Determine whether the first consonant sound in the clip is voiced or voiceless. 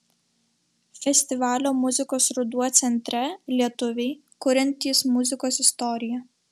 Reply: voiceless